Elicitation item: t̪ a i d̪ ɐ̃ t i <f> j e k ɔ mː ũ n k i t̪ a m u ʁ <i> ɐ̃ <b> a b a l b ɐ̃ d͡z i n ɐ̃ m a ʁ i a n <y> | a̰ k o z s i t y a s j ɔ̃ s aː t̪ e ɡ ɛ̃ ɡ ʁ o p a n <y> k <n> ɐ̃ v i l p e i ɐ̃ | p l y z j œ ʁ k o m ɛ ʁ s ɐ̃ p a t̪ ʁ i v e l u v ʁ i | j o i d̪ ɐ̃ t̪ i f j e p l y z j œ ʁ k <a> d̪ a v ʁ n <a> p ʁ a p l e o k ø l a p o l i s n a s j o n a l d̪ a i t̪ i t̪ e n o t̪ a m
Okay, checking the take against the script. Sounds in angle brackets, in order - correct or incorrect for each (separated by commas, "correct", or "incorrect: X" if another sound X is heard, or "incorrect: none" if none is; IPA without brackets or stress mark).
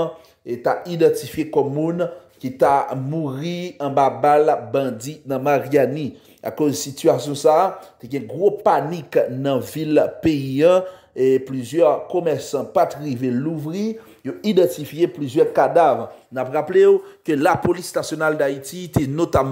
correct, correct, correct, incorrect: i, incorrect: i, correct, correct, correct